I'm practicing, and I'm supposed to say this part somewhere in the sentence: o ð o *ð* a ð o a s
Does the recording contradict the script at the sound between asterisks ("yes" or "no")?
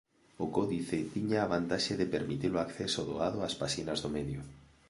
yes